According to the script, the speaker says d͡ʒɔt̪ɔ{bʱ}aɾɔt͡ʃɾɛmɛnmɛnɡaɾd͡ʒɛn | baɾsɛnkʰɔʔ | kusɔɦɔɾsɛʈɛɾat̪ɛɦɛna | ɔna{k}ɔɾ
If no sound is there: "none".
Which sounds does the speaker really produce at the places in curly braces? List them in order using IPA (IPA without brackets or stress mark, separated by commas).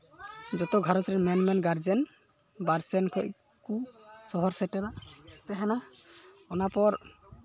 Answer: ɡʱ, p